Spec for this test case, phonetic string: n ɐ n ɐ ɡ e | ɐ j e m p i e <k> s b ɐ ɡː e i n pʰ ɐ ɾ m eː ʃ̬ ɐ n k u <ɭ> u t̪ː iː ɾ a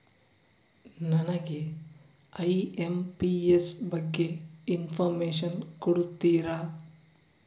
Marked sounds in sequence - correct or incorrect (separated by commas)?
incorrect, incorrect